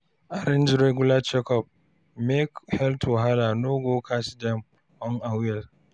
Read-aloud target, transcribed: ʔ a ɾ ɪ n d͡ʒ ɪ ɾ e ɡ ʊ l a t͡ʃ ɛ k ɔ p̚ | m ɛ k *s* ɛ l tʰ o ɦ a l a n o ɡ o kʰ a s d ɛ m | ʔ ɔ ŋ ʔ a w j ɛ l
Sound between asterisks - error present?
yes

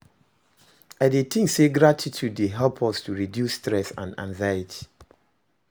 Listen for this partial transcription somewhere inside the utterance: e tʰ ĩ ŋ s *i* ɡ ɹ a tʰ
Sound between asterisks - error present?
yes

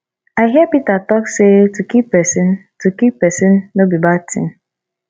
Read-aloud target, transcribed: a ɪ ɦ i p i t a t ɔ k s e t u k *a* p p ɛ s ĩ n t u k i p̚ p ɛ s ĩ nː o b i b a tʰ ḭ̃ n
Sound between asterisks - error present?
yes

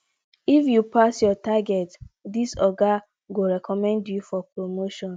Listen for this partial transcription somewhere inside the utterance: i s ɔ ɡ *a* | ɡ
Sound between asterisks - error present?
no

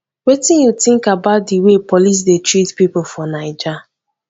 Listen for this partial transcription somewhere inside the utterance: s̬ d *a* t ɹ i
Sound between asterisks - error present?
yes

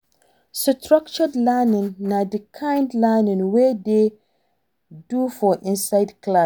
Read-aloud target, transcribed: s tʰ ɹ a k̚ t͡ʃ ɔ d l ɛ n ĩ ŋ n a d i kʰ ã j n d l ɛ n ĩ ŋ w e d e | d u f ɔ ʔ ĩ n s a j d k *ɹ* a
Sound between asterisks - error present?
yes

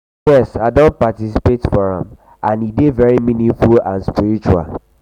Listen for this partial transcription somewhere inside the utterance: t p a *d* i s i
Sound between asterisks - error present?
yes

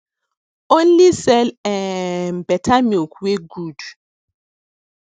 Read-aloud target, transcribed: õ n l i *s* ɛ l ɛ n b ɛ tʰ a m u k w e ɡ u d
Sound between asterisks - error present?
no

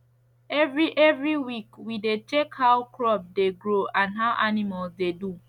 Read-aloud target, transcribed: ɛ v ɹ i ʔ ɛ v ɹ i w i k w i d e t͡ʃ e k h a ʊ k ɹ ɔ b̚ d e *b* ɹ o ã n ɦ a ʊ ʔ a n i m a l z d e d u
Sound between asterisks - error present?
yes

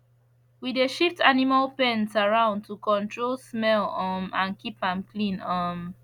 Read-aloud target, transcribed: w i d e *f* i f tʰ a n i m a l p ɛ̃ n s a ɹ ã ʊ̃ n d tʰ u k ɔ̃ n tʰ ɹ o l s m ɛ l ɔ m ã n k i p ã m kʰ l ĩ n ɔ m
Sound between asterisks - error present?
yes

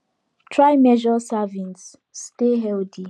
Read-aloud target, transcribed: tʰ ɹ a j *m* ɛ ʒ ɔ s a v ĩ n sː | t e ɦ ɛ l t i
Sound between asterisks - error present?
no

